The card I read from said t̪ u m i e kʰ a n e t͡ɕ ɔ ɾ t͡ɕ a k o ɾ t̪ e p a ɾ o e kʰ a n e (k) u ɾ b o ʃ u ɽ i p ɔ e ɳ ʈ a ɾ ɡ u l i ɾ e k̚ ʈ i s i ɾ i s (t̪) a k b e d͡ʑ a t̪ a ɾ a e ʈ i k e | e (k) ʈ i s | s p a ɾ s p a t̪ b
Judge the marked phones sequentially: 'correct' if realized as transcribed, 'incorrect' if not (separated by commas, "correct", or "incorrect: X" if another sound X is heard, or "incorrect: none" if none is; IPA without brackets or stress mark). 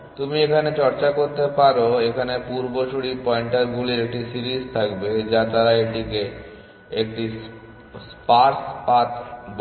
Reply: incorrect: p, incorrect: t̪ʰ, correct